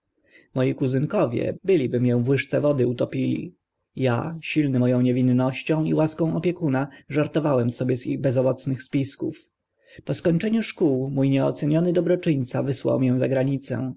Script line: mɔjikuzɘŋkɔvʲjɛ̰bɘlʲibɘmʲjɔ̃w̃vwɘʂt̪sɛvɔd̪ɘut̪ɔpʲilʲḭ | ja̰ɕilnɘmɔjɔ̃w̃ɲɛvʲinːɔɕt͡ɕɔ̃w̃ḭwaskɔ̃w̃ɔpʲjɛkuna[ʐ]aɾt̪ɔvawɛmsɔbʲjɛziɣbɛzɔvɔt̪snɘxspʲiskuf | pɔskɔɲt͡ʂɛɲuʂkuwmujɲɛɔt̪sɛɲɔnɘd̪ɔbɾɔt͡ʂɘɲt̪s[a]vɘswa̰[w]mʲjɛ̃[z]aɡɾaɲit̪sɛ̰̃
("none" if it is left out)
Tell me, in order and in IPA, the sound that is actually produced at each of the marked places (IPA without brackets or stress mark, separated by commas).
ʐ, a, w, z